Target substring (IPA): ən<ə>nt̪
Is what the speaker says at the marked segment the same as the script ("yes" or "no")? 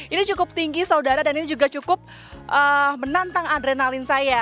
no